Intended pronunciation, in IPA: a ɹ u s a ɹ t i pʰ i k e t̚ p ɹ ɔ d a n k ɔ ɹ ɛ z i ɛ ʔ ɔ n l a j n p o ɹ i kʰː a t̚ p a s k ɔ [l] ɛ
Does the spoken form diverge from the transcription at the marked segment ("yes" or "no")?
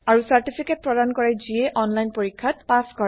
yes